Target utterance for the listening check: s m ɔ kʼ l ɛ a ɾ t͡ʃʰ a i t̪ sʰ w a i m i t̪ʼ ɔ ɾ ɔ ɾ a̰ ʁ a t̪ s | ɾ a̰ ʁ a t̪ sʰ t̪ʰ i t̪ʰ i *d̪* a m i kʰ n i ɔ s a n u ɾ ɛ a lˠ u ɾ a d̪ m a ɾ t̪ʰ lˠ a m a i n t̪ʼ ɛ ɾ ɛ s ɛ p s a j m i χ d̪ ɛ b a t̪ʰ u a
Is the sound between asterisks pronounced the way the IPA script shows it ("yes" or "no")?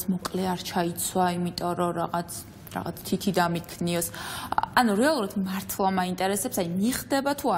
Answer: yes